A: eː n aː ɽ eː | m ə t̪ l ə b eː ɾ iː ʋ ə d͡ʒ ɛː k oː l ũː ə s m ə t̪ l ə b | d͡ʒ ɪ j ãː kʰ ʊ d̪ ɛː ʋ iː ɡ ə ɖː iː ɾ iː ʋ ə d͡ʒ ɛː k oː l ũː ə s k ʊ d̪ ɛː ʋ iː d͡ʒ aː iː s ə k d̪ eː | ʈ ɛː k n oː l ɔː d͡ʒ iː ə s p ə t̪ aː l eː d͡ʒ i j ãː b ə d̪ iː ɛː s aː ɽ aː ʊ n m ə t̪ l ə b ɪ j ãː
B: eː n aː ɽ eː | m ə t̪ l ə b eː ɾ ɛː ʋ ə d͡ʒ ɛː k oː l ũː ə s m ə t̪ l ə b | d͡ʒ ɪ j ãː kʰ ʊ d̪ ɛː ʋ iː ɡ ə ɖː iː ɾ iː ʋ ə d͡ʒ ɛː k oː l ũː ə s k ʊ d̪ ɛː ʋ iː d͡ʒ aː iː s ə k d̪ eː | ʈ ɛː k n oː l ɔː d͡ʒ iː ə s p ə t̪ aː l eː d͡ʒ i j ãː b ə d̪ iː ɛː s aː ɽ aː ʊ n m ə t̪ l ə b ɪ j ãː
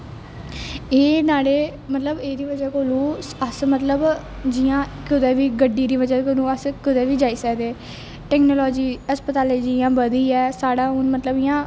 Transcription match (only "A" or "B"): A